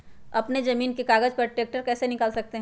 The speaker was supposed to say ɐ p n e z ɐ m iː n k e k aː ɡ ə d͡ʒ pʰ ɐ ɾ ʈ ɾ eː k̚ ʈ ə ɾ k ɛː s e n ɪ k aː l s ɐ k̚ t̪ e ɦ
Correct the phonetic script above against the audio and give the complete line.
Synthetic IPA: ɐ p n e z ɐ m iː n k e k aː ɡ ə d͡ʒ p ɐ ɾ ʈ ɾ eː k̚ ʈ ə ɾ k ɛː s e n ɪ k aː l s ɐ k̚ t̪ e ɦ